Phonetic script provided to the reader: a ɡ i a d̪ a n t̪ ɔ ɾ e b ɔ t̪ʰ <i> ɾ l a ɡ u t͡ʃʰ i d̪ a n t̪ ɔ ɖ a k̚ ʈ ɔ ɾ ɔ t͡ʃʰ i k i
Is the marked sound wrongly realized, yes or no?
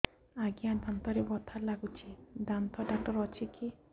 yes